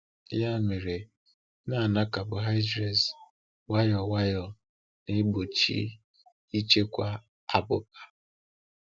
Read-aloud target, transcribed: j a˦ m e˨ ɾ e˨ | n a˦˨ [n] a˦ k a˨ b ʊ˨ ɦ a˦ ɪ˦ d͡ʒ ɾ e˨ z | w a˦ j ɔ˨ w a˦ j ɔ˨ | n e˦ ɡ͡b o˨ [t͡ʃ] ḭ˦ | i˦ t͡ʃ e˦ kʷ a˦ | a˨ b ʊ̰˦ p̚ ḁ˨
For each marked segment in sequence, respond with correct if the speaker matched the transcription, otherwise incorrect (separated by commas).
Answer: correct, correct